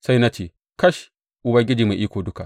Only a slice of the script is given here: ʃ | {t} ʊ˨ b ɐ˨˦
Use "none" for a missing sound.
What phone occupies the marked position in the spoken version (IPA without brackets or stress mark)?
ʔ